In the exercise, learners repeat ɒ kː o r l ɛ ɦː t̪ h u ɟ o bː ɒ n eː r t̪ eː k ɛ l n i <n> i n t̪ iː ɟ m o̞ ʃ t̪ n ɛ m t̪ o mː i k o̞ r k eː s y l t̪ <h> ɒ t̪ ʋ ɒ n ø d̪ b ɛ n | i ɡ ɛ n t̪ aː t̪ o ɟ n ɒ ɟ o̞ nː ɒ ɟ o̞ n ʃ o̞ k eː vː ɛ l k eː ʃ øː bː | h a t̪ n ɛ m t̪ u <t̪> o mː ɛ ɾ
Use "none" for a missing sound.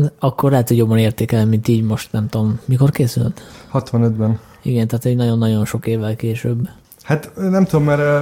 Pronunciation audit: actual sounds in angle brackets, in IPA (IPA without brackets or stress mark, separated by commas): m, h, d̪